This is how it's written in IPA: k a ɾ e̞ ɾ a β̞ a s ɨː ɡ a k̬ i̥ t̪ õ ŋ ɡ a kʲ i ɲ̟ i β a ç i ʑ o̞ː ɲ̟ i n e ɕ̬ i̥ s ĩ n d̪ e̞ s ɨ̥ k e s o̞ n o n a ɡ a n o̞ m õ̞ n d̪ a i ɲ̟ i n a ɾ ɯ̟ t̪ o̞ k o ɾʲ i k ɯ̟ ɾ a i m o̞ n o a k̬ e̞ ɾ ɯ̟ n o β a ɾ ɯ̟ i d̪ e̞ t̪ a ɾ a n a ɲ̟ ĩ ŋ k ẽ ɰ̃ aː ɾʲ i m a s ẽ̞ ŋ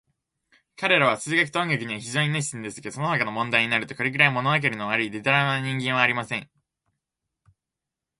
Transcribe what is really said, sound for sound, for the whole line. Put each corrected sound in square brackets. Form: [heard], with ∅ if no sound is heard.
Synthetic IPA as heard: k a ɾ e̞ ɾ a β̞ a s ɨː ɡ a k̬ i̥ t̪ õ ŋ ɡ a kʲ i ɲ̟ i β a ç i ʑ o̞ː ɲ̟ i n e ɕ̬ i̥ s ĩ n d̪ e̞ s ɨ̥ k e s o̞ n o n a [k] a n o̞ m õ̞ n d̪ a i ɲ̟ i n a ɾ ɯ̟ t̪ o̞ k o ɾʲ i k ɯ̟ ɾ a i m o̞ n o a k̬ e̞ ɾ ɯ̟ n o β a ɾ ɯ̟ i d̪ e̞ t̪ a ɾ a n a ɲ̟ ĩ ŋ [ɡ] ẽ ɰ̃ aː ɾʲ i m a s ẽ̞ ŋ

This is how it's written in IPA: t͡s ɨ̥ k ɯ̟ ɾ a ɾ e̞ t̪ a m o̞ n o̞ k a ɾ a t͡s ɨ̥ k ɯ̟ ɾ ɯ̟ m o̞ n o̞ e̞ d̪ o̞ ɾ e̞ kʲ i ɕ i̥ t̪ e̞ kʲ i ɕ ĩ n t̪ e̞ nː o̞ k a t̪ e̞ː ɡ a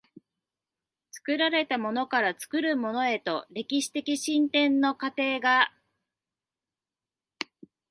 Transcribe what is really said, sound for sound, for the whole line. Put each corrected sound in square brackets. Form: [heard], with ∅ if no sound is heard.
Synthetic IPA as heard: t͡s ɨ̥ k ɯ̟ ɾ a ɾ e̞ t̪ a m o̞ n o̞ k a ɾ a t͡s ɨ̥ k ɯ̟ ɾ ɯ̟ m o̞ n o̞ e̞ [t̪] o̞ ɾ e̞ kʲ i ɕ i̥ t̪ e̞ kʲ i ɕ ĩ n t̪ [ẽ̞] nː o̞ k a t̪ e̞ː ɡ a

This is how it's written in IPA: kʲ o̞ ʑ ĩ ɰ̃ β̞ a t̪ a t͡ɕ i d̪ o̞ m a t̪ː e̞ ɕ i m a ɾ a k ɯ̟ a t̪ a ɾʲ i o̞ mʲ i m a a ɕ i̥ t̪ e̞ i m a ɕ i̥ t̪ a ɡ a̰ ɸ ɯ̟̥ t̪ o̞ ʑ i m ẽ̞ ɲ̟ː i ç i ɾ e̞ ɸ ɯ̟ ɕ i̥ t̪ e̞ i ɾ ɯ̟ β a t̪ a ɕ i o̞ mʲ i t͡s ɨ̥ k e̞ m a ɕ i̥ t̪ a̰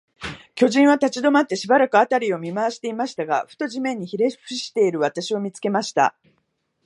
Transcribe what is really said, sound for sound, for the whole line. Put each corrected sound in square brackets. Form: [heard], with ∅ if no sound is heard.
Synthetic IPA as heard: kʲ o̞ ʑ ĩ ɰ̃ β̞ a t̪ a t͡ɕ i d̪ o̞ m a t̪ː e̞ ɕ i [b] a ɾ a k ɯ̟ a t̪ a ɾʲ i o̞ mʲ i m a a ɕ i̥ t̪ e̞ i m a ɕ i̥ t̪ a ɡ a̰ ɸ ɯ̟̥ t̪ o̞ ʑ i m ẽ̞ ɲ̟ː i ç i ɾ e̞ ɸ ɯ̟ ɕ i̥ t̪ e̞ i ɾ ɯ̟ β a t̪ a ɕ i o̞ mʲ i t͡s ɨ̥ k e̞ m a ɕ i̥ t̪ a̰

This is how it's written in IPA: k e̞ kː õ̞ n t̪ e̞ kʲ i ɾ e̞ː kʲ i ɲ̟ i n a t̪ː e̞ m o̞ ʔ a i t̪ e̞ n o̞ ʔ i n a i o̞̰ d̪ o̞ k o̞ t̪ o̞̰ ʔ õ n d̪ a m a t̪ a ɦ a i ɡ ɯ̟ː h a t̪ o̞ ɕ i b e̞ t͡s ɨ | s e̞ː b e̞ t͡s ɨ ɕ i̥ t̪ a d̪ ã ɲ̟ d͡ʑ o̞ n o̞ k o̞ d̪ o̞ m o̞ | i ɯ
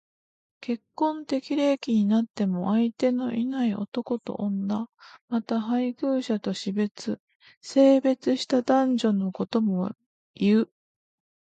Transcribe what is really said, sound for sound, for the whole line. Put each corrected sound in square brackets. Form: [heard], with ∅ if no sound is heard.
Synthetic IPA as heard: k e̞ kː õ̞ n t̪ e̞ kʲ i ɾ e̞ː kʲ i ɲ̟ i n a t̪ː e̞ m o̞ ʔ a i t̪ e̞ n o̞ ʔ i n a i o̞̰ [t̪] o̞ k o̞ t̪ o̞̰ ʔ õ n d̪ a m a t̪ a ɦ a i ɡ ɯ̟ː [ɕ] a t̪ o̞ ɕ i b e̞ t͡s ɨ | s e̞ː b e̞ t͡s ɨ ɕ i̥ t̪ a d̪ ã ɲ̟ d͡ʑ o̞ n o̞ k o̞ [t̪] o̞ m o̞ | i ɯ

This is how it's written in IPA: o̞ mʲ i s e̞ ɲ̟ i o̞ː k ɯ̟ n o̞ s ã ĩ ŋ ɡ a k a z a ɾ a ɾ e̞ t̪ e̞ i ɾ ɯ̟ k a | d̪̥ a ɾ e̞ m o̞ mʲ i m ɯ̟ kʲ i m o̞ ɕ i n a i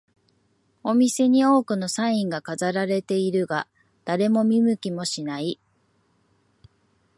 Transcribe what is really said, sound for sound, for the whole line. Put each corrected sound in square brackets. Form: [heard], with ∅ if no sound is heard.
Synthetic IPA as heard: o̞ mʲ i s e̞ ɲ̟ i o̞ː k ɯ̟ n o̞ s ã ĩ ŋ ɡ a k a z a ɾ a ɾ e̞ t̪ e̞ i ɾ ɯ̟ [ɡ] a | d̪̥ a ɾ e̞ m o̞ mʲ i m ɯ̟ kʲ i m o̞ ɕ i n a i

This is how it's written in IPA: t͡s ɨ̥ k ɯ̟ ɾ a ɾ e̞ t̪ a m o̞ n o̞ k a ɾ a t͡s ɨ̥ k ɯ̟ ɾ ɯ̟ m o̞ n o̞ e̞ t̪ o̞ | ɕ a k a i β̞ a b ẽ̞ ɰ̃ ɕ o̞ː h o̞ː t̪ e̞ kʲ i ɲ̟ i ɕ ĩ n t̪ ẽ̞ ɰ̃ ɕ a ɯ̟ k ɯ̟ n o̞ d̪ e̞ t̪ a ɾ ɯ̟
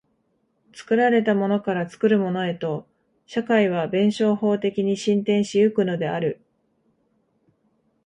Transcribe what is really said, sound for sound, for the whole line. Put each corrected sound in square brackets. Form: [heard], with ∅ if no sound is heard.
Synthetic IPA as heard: t͡s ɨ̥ k ɯ̟ ɾ a ɾ e̞ t̪ a m o̞ n o̞ k a ɾ a t͡s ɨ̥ k ɯ̟ ɾ ɯ̟ m o̞ n o̞ e̞ t̪ o̞ | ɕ a k a i β̞ a b ẽ̞ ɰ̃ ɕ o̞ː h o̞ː t̪ e̞ kʲ i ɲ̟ i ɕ ĩ n t̪ ẽ̞ ɰ̃ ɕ [i] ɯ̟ k ɯ̟ n o̞ d̪ e̞ [∅] a ɾ ɯ̟

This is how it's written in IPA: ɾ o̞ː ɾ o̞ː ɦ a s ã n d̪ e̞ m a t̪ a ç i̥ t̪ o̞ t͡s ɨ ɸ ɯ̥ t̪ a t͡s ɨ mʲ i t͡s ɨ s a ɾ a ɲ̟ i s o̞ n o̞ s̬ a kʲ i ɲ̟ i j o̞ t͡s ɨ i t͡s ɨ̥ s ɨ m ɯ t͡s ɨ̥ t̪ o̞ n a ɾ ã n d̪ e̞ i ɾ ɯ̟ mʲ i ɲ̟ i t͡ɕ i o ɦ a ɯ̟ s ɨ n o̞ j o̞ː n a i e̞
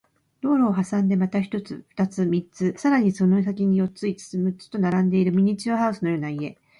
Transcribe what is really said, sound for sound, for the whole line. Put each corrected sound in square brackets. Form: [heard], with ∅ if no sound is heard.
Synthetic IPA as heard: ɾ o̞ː ɾ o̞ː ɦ a s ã n d̪ e̞ m a t̪ a ç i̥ t̪ o̞ t͡s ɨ ɸ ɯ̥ t̪ a t͡s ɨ mʲ i t͡s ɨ s a ɾ a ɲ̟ i s o̞ n o̞ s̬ a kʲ i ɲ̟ i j o̞ t͡s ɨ i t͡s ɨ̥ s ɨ m ɯ t͡s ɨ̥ t̪ o̞ n a ɾ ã n d̪ e̞ i ɾ ɯ̟ mʲ i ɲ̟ i t͡ɕ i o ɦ a ɯ̟ s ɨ n o̞ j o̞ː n a i e̞

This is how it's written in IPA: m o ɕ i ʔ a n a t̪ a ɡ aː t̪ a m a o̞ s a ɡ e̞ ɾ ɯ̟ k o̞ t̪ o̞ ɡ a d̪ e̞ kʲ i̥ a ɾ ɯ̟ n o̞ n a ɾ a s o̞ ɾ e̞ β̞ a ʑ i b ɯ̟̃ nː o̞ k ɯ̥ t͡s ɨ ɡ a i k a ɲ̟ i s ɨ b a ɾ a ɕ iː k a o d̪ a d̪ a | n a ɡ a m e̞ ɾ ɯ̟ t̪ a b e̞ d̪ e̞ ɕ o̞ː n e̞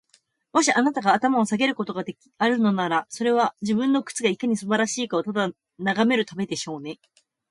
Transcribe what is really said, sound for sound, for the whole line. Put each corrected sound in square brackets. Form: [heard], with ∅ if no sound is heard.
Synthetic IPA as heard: m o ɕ i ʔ a n a t̪ a ɡ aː t̪ a m a o̞ s a ɡ e̞ ɾ ɯ̟ k o̞ t̪ o̞ ɡ a d̪ e̞ kʲ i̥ a ɾ ɯ̟ n o̞ n a ɾ a s o̞ ɾ e̞ β̞ a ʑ i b ɯ̟̃ nː o̞ k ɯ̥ t͡s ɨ ɡ a i k a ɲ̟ i s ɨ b a ɾ a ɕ iː k a o [t̪] a d̪ a | n a ɡ a m e̞ ɾ ɯ̟ t̪ a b e̞ d̪ e̞ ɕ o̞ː n e̞

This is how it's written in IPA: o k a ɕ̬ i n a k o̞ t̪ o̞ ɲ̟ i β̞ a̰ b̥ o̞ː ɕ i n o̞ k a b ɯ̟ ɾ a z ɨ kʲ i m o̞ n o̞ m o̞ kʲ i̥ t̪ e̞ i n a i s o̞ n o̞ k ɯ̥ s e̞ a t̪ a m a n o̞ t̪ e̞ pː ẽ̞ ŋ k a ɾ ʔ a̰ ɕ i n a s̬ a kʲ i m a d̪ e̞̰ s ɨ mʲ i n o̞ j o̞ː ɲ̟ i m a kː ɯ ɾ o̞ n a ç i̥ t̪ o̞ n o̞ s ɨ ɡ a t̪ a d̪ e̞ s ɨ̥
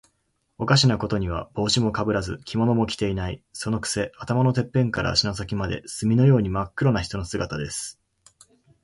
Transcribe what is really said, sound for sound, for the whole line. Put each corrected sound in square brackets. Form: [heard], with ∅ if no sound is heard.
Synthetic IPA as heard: o k a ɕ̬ i n a k o̞ t̪ o̞ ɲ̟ i β̞ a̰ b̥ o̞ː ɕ i [m] o̞ k a b ɯ̟ ɾ a z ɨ kʲ i m o̞ n o̞ m o̞ kʲ i̥ t̪ e̞ i n a i s o̞ n o̞ k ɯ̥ s e̞ a t̪ a m a n o̞ t̪ e̞ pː ẽ̞ ŋ k a ɾ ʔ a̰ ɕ i n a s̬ a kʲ i m a d̪ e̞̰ s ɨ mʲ i n o̞ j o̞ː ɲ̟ i m a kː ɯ ɾ o̞ n a ç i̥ t̪ o̞ n o̞ s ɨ ɡ a t̪ a d̪ e̞ s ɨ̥

